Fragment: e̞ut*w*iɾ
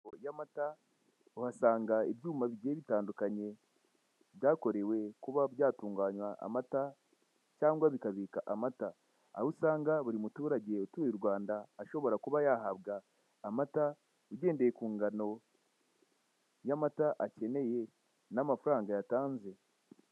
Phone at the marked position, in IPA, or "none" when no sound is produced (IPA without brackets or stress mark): u